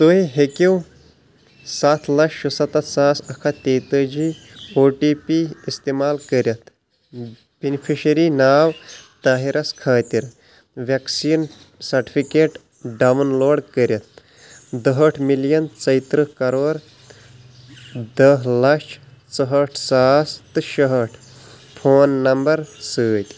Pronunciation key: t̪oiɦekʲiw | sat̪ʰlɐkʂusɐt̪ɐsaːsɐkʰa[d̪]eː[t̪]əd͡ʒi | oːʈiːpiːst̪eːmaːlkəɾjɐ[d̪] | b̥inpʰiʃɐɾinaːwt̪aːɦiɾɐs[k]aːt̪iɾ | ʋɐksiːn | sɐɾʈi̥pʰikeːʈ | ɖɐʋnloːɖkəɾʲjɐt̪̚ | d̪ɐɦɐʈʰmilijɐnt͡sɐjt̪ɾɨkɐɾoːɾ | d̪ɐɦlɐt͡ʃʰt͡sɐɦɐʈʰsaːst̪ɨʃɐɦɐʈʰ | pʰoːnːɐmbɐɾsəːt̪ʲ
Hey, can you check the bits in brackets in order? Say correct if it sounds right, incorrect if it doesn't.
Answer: incorrect: t̪, correct, incorrect: t̪, incorrect: kʰ

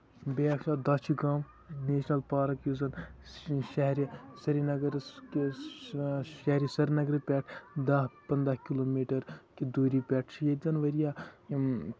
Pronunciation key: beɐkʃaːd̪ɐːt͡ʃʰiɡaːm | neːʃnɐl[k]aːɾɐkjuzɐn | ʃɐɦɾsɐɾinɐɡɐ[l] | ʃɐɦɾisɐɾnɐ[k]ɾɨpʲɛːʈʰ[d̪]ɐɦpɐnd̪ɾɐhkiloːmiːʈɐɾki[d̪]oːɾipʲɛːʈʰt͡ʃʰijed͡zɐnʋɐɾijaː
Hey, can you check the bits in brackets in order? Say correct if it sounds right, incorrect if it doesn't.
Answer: incorrect: p, incorrect: ɾ, incorrect: ɡ, correct, correct

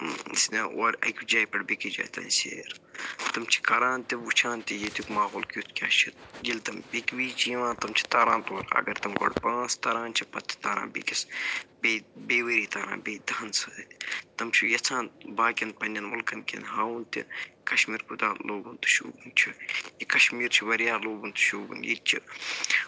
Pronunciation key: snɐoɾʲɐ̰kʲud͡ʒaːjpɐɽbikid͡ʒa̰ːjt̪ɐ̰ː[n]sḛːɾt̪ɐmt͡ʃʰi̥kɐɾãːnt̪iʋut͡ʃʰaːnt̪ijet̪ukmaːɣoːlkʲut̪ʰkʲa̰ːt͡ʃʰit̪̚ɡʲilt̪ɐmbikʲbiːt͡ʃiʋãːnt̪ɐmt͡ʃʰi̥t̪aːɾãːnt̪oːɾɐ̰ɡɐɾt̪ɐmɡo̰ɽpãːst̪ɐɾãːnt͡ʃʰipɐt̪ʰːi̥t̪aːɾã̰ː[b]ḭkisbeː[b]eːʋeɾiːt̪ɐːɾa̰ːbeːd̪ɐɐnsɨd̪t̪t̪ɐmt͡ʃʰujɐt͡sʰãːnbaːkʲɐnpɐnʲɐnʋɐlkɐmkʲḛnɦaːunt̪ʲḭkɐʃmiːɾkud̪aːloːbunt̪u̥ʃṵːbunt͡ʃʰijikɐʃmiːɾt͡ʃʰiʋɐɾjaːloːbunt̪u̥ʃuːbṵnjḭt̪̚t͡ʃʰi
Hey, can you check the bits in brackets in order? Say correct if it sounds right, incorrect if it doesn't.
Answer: correct, correct, correct

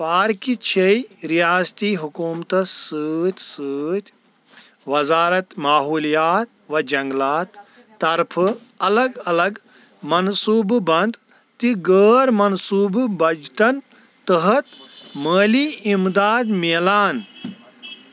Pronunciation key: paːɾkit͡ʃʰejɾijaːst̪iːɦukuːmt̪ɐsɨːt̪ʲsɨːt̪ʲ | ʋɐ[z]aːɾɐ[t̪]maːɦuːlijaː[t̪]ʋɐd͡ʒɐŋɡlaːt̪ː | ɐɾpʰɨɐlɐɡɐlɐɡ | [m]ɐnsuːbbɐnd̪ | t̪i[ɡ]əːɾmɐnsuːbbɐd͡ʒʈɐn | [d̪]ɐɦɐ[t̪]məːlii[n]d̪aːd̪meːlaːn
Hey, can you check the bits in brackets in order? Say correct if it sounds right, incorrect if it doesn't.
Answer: correct, correct, correct, correct, correct, incorrect: t̪, correct, incorrect: m

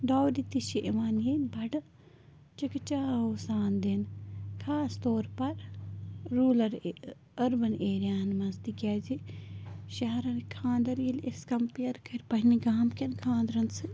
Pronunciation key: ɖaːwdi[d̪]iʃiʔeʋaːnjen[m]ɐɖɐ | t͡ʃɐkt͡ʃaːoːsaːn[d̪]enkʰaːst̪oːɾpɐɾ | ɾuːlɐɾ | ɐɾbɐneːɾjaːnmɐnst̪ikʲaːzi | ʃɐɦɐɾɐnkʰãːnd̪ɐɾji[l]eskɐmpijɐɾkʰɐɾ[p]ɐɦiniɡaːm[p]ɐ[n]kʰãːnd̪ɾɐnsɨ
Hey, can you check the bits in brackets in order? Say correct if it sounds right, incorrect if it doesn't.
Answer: incorrect: t̪, incorrect: b, correct, correct, correct, incorrect: k, correct

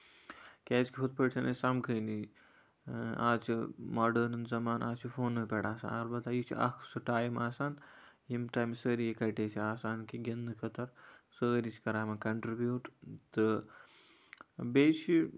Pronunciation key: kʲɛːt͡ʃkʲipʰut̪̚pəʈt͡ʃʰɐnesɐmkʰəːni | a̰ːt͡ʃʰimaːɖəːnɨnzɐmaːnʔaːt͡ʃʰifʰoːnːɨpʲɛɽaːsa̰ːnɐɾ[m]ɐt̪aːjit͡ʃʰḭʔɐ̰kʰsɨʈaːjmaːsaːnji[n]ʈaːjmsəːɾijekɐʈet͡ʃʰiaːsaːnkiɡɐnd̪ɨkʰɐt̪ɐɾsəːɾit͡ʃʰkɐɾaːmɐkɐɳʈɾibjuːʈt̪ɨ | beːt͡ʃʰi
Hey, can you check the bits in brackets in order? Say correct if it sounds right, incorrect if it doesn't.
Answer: incorrect: b, incorrect: m

